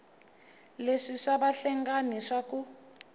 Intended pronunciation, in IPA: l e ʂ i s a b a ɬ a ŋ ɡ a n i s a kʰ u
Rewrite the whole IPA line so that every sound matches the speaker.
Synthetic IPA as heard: l e ʂ i ʂ a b a ɬ ɛ ŋ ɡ a n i ʂ a k u

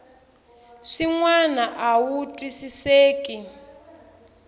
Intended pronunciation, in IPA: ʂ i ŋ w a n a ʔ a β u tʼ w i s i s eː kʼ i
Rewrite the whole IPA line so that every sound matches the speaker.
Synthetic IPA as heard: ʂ i ŋ w a n a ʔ a w u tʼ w i s i s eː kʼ i

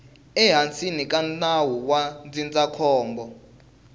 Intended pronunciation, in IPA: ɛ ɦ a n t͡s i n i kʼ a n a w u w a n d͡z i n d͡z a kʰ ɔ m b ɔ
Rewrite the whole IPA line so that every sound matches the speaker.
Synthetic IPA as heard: ɛ ɦ a n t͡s i n i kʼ a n a w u w a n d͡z i n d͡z a kʰ ɔː m b ɔ

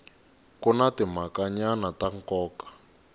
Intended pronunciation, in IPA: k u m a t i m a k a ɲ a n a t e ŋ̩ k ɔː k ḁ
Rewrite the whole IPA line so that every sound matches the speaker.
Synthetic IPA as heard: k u n a t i m a k a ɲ a n a t a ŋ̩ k ɔː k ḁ

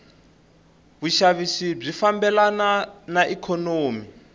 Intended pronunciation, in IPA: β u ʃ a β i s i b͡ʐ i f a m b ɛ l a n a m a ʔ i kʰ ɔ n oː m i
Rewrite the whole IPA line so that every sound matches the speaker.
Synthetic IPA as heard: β u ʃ a β i s i b͡ʐ i f a m b ɛ l a n a n a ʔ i kʰ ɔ n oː m i

